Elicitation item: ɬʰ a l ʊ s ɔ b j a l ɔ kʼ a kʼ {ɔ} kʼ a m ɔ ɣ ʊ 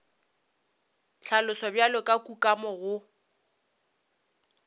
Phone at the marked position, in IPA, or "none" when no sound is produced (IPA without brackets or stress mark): u